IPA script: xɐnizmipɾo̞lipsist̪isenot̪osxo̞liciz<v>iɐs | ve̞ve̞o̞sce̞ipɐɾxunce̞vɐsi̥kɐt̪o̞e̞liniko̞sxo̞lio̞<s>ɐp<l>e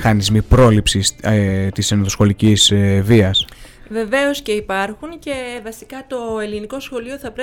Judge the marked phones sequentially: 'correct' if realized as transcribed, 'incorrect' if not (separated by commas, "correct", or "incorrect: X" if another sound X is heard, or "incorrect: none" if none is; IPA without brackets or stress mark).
correct, incorrect: θ, incorrect: ɾ